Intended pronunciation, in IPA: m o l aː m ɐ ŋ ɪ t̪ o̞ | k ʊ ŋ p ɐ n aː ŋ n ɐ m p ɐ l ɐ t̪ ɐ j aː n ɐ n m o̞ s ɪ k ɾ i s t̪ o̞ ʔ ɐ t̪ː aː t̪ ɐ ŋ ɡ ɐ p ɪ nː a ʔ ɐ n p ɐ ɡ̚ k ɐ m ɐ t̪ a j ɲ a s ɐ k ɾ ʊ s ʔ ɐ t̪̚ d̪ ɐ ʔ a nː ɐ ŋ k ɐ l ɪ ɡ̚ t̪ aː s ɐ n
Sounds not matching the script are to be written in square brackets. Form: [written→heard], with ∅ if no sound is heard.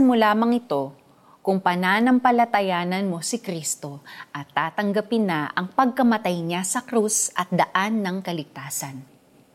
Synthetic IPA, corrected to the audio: m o l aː m ɐ ŋ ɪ t̪ o̞ | k ʊ ŋ p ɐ n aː [ŋ→∅] n ɐ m p ɐ l ɐ t̪ ɐ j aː n ɐ n m o̞ s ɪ k ɾ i s t̪ o̞ ʔ ɐ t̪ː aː t̪ ɐ ŋ ɡ ɐ p ɪ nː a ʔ ɐ [n→ŋ] p ɐ ɡ̚ k ɐ m ɐ t̪ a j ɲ a s ɐ k ɾ [ʊ→u] s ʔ ɐ t̪̚ d̪ ɐ ʔ a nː ɐ ŋ k ɐ l ɪ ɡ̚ t̪ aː s ɐ n